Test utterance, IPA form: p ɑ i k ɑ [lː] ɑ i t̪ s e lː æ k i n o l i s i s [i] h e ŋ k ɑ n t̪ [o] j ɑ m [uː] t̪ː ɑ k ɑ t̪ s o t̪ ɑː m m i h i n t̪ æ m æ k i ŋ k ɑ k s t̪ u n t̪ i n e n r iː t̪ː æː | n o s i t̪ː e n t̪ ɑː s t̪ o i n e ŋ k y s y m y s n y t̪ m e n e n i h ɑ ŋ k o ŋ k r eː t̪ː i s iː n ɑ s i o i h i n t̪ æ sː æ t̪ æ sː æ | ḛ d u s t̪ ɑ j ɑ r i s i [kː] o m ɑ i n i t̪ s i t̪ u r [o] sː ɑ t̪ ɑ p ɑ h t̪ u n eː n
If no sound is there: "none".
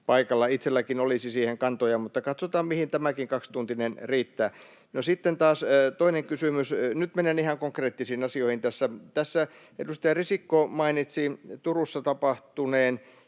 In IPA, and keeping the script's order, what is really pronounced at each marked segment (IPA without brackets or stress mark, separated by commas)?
lː, iː, o, u, kː, u